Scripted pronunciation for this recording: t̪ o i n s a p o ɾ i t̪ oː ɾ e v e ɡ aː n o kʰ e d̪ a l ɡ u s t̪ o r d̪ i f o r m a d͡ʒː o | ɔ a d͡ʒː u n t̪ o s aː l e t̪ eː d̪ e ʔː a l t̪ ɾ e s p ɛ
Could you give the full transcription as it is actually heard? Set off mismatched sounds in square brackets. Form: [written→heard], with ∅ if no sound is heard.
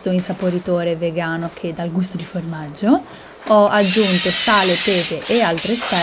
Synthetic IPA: t̪ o i n s a p o ɾ i t̪ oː ɾ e v e ɡ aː n o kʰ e d̪ a l ɡ u s t̪ o [r→∅] d̪ i f o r m a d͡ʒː o | ɔ a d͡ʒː u n t̪ o s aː l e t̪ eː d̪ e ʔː a l t̪ ɾ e s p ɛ

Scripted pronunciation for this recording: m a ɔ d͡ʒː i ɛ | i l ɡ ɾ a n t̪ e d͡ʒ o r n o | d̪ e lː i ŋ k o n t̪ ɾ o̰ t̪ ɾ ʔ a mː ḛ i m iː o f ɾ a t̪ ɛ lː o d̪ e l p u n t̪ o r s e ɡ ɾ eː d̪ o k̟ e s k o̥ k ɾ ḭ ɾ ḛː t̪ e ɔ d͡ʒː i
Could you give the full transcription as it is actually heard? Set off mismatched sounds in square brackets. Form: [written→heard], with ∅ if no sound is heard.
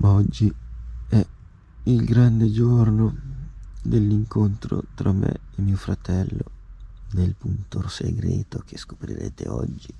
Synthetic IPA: m a ɔ d͡ʒː i ɛ | i l ɡ ɾ a n [t̪→d̪] e d͡ʒ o r n o | d̪ e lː i ŋ k o n t̪ ɾ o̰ t̪ ɾ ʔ a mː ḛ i m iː o f ɾ a t̪ ɛ lː o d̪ e l p u n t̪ o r s e ɡ ɾ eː [d̪→t̪] o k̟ e s k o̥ [k→p] ɾ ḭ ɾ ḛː t̪ e ɔ d͡ʒː i

